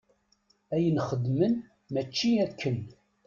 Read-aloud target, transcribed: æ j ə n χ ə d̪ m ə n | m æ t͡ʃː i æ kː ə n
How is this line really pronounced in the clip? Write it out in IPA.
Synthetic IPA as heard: æ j ə n χ ə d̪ m ə n | m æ t͡ʃː i æ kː ə n